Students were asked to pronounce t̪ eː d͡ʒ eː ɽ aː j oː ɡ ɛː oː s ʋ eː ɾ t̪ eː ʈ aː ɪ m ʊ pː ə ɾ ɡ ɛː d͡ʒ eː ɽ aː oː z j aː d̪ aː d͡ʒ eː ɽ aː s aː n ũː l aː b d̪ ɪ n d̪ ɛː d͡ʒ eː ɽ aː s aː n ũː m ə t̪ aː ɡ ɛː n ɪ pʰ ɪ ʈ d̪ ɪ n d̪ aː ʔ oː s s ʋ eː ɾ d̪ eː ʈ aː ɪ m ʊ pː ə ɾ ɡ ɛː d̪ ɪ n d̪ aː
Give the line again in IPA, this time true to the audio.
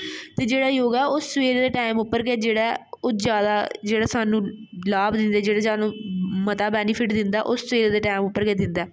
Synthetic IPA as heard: t̪ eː d͡ʒ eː ɽ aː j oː ɡ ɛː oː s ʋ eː ɾ d̪ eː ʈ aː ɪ m ʊ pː ə ɾ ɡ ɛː d͡ʒ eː ɽ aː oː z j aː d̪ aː d͡ʒ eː ɽ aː s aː n ũː l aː b d̪ ɪ n d̪ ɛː d͡ʒ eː ɽ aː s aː n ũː m ə t̪ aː b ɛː n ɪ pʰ ɪ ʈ d̪ ɪ n d̪ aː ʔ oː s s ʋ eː ɾ d̪ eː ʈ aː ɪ m ʊ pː ə ɾ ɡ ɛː d̪ ɪ n d̪ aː